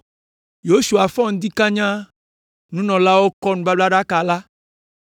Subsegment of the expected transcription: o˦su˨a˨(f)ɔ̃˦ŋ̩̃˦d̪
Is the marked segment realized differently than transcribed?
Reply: no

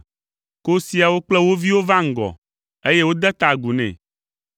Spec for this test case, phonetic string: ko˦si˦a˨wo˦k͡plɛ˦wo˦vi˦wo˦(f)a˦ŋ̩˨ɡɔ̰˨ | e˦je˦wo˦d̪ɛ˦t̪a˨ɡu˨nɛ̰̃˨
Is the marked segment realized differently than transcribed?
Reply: yes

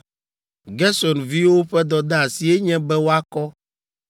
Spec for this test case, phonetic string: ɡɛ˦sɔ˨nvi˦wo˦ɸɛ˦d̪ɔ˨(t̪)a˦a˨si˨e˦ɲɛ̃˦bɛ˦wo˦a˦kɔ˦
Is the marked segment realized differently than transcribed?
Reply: yes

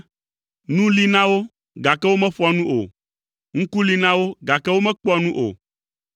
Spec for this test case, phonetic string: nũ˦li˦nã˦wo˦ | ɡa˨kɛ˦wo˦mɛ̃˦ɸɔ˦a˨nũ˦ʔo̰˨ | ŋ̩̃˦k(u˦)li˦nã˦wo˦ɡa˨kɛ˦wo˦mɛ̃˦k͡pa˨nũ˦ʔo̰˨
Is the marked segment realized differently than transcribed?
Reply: no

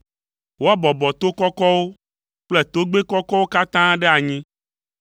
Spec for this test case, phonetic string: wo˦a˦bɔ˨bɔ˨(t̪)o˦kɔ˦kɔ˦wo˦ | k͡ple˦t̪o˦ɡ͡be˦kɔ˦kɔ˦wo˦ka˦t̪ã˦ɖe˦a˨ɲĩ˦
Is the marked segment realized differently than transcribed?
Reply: no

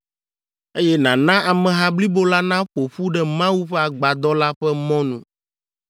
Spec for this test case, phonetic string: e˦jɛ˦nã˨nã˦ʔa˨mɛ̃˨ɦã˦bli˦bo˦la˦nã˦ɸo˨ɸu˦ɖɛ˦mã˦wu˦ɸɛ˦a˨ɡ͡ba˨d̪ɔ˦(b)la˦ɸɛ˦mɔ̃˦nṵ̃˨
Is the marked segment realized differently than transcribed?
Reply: yes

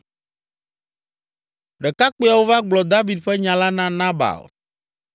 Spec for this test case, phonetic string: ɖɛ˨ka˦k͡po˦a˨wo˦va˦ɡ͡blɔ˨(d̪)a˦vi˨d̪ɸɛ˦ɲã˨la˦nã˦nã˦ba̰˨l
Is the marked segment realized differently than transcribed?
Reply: no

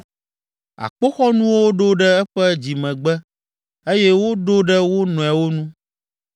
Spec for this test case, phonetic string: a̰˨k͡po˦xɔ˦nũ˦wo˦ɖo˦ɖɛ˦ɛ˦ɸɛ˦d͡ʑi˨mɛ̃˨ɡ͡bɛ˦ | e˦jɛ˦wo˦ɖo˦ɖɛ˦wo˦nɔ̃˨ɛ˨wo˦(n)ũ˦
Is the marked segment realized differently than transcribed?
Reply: no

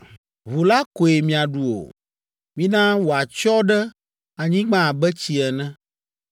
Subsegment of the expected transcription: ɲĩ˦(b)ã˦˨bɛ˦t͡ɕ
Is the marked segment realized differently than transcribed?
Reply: yes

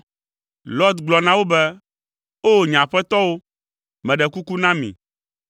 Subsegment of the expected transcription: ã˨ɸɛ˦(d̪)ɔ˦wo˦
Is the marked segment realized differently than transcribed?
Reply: yes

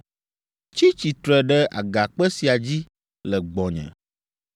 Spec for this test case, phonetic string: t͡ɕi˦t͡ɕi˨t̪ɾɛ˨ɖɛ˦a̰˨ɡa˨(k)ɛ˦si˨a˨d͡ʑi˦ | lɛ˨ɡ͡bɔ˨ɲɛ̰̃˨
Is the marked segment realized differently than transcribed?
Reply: yes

